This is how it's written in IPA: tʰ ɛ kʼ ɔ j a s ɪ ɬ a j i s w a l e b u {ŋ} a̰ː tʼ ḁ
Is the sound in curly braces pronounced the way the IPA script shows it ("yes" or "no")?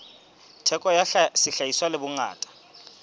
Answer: yes